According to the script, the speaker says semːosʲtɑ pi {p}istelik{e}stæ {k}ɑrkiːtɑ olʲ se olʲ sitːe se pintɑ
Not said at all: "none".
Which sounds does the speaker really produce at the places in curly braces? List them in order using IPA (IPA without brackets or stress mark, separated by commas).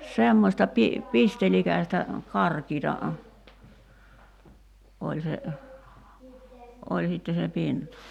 p, æ, k